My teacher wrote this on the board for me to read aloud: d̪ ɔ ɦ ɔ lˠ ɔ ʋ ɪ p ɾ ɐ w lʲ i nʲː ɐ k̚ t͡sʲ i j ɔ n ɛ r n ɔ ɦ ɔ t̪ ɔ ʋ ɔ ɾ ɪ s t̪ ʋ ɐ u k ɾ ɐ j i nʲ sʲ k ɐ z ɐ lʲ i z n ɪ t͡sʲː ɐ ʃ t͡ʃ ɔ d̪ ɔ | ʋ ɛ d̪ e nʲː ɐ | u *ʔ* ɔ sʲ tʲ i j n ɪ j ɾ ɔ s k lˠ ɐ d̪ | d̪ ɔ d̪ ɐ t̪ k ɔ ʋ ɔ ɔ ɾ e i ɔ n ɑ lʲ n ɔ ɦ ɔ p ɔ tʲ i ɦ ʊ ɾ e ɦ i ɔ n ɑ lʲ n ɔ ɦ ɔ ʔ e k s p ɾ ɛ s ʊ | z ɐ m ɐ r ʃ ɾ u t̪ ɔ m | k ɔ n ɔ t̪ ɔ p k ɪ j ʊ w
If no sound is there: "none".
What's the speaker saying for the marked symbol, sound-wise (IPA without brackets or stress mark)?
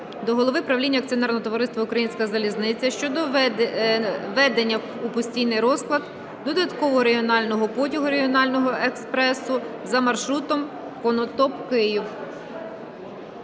p